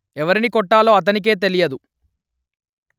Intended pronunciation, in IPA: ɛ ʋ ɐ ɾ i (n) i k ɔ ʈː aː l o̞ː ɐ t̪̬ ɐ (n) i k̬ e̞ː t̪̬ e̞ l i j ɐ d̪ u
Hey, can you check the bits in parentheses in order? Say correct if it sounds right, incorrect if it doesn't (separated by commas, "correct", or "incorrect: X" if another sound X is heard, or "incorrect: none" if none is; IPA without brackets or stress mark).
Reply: correct, correct